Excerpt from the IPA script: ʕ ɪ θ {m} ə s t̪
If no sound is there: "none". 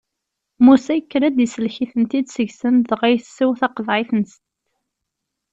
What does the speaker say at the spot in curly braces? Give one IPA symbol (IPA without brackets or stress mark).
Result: n